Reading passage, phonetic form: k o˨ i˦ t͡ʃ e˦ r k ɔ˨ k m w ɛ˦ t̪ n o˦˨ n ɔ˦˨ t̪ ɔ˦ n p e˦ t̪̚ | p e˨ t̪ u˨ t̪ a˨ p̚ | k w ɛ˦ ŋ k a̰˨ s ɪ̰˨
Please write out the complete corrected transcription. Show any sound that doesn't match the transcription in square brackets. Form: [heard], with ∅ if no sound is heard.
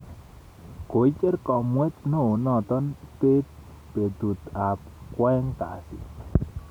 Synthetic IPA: k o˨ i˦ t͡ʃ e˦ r k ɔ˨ [∅] m w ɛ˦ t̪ n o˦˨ n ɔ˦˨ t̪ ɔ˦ n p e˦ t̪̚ | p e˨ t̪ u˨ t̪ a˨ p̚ | k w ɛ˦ ŋ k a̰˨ s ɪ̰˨